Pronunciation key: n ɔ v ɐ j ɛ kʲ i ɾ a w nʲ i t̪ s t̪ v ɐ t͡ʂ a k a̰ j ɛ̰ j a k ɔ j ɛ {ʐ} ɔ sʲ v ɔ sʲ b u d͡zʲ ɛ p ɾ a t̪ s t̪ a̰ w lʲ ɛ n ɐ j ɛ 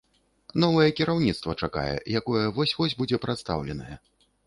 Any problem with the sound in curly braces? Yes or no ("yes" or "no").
yes